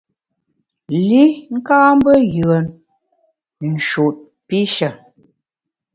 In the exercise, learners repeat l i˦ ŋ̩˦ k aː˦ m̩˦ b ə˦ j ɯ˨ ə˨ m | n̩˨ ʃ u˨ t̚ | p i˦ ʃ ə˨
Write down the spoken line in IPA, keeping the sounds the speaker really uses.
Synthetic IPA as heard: l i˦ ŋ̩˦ k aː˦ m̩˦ b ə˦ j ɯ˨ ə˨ n | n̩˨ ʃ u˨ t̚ | p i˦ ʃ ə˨